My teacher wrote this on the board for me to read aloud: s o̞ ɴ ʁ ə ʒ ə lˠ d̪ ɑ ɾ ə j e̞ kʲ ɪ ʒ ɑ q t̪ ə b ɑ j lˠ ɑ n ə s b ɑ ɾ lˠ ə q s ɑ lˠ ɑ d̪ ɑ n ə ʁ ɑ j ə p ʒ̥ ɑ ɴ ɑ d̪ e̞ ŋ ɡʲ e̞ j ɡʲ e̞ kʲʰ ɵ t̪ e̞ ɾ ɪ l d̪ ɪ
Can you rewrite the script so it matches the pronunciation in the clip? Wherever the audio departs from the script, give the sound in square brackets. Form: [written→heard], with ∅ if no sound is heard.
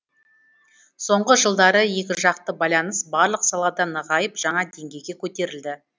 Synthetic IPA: s o̞ ɴ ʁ ə ʒ ə lˠ d̪ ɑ ɾ ə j e̞ kʲ ɪ ʒ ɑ q t̪ ə b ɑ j lˠ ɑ n ə s b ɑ ɾ lˠ ə q s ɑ lˠ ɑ d̪ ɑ n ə ʁ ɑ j ə p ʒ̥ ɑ ɴ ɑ d̪ e̞ ŋ ɡʲ e̞ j ɡʲ e̞ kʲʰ ɵ t̪ e̞ ɾ ɪ l d̪ ɪ